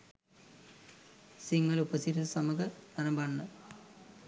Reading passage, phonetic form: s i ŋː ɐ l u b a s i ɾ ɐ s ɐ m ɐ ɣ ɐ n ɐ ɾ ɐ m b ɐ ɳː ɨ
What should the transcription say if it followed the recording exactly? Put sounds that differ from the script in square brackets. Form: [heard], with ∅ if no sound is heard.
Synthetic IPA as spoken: s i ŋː ɐ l u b [ɐ] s i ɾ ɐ s ɐ m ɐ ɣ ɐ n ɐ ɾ ɐ m b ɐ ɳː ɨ